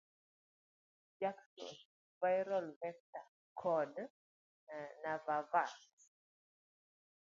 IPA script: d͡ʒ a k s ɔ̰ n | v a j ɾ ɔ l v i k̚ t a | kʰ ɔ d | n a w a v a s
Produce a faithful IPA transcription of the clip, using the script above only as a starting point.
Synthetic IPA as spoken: d͡ʒ a k s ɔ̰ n | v a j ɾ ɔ l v ɛ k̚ t a | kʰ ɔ d | n a v a v a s